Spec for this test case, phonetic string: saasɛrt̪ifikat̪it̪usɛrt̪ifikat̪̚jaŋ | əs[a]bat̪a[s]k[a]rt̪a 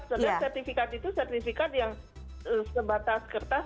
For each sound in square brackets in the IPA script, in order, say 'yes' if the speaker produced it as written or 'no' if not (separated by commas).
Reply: no, yes, no